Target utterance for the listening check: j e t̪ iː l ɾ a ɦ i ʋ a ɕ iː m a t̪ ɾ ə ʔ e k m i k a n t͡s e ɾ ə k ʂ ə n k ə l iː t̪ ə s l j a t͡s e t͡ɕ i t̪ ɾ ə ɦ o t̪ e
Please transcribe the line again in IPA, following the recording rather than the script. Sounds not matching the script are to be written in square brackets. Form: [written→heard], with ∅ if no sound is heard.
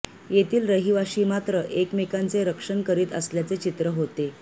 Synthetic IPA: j e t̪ iː l ɾ [a→ə] ɦ i ʋ a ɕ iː m a t̪ ɾ ə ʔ e k m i k a n t͡s e ɾ ə k ʂ ə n k ə [l→ɾ] iː t̪ ə s l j a t͡s e t͡ɕ i t̪ ɾ ə ɦ o t̪ e